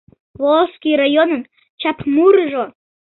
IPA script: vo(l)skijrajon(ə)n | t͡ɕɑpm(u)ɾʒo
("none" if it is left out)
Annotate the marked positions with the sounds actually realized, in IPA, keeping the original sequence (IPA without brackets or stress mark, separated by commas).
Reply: l, ə, u